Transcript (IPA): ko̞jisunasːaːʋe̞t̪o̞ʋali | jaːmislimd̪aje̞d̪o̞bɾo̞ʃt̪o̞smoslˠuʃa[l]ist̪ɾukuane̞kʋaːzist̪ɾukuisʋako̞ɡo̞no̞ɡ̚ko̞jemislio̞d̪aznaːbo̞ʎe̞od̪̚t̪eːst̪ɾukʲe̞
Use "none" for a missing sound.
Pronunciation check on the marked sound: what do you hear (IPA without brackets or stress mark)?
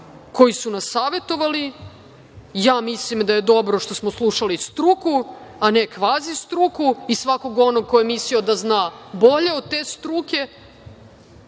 l